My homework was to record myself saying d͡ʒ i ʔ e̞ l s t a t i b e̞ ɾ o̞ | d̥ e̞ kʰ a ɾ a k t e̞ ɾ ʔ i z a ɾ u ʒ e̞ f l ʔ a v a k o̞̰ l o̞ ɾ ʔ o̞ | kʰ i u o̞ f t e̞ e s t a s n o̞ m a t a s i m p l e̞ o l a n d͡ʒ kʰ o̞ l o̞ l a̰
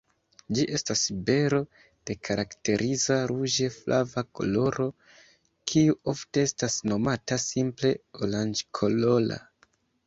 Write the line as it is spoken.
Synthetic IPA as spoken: d͡ʒ i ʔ e̞ s t a s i b e̞ ɾ o̞ | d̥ e̞ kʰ a ɾ a k t e̞ ɾ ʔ i z a ɾ u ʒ e̞ f l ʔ a v a k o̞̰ l o̞ ɾ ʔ o̞ | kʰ i u o̞ f t e̞ e s t a s n o̞ m a t a s i m p l e̞ o l a n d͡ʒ kʰ o̞ l o̞ l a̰

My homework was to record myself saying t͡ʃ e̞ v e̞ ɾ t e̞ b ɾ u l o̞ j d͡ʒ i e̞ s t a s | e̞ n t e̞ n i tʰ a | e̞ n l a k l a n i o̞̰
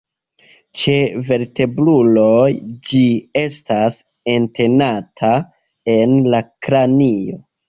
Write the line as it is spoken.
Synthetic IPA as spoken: t͡ʃ e̞ v e̞ ɾ t e̞ b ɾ u l o̞ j d͡ʒ i e̞ s t a s | e̞ n t e̞ n a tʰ a | e̞ n l a k ɾ a n i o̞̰

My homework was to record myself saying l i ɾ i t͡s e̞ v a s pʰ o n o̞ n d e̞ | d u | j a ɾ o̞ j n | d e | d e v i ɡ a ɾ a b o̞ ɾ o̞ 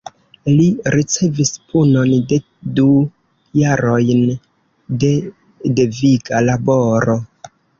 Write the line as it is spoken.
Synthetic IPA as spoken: l i ɾ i t͡s e̞ v i s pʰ u n o̞ n d e̞ | d u | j a ɾ o̞ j n | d e | d e v i ɡ a l a b o̞ ɾ o̞

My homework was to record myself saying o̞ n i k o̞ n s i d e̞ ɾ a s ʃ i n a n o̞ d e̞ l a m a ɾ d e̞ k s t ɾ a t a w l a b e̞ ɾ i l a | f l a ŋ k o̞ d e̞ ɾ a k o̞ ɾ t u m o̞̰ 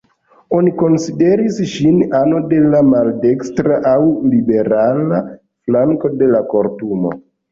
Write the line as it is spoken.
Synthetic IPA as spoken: o̞ n i k o̞ n s i d e̞ ɾ i s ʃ i n a n o̞ d e̞ l a m a l d e̞ k s t ɾ a ʔ a w l i b e̞ ɾ a l a | f l a ŋ k o̞ d e̞ l a k o̞ ɾ t u m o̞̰

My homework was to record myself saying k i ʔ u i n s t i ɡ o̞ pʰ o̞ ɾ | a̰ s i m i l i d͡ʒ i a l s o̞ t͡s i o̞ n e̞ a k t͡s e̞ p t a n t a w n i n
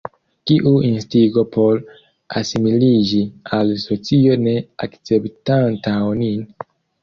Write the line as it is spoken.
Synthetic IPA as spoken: k i ʔ u i n s t i ɡ o̞ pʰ o̞ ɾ | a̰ s i m i l i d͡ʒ i a l s o̞ t͡s i o̞ n e̞ a k t͡s e̞ p t a n t a w n i n

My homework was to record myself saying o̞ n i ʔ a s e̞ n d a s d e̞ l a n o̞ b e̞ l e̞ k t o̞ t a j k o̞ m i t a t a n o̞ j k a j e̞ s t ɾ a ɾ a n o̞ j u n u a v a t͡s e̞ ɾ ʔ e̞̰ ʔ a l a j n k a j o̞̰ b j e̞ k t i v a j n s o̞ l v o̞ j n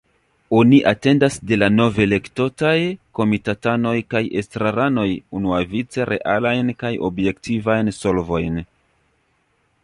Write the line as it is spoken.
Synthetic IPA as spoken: o̞ n i ʔ a t e̞ n d a s d e̞ l a n o̞ v e̞ l e̞ k t o̞ t a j k o̞ m i t a t a n o̞ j k a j e̞ s t ɾ a ɾ a n o̞ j u n u a v i t͡s e̞ ɾ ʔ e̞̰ ʔ a l a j n k a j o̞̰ b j e̞ k t i v a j n s o̞ l v o̞ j n

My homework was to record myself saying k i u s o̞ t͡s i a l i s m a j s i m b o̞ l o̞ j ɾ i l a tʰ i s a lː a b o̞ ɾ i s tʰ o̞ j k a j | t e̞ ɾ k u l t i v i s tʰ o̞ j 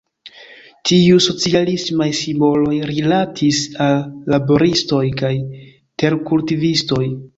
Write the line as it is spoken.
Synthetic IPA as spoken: t i u s o̞ t͡s i a l i s m a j s i m b o̞ l o̞ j ɾ i l a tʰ i s a lː a b o̞ ɾ i s t o̞ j k a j | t e̞ ɾ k u l t i v i s t o̞ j

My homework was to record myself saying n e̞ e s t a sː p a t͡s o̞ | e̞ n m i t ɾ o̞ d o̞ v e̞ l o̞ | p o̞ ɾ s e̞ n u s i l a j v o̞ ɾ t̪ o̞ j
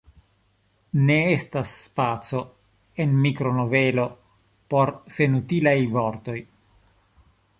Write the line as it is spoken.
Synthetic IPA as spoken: n e̞ e s t a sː p a t͡s o̞ | e̞ n m i k ɾ o̞ n o̞ v e̞ l o̞ | p o̞ ɾ s e̞ n u t i l a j v o̞ ɾ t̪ o̞ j

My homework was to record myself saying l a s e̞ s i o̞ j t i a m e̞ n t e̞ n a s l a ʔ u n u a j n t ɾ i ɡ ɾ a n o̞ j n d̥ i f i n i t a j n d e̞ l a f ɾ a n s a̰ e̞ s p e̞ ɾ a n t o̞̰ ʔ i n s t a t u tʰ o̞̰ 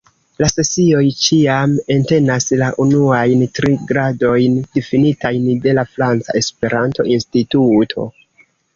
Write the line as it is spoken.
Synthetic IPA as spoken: l a s e̞ s i o̞ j t͡ʃ i a m e̞ n t e̞ n a s l a ʔ u n u a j n t ɾ i ɡ ɾ a d o̞ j n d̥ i f i n i t a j n d e̞ l a f ɾ a n t͡s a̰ e̞ s p e̞ ɾ a n t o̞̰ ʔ i n s t i t u tʰ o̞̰

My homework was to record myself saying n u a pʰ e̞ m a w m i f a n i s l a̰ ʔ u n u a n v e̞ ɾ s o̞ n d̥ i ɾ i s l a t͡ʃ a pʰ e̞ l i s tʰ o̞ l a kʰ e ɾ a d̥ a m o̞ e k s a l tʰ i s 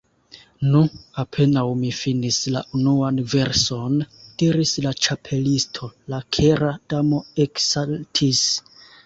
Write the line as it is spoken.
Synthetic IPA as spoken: n u a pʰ e̞ n a w m i f i n i s l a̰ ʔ u n u a n v e̞ ɾ s o̞ n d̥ i ɾ i s l a t͡ʃ a pʰ e̞ l i s tʰ o̞ l a kʰ e ɾ a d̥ a m o̞ e k s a l tʰ i s

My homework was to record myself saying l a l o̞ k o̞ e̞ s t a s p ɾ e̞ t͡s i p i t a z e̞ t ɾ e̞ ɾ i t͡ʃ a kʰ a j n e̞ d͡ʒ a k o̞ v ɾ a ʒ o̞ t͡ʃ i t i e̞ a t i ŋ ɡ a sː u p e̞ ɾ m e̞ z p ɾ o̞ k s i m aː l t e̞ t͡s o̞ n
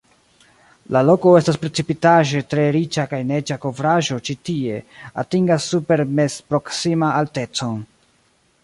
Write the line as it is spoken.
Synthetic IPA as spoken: l a l o̞ k o̞ e̞ s t a s p ɾ e̞ t͡s i p i t a ʒ e̞ t ɾ e̞ ɾ i t͡ʃ a k a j n e̞ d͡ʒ a k o̞ v ɾ a ʒ o̞ t͡ʃ i t i e̞ a t i ŋ ɡ a sː u p e̞ ɾ m e̞ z p ɾ o̞ k s i m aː l t e̞ t͡s o̞ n

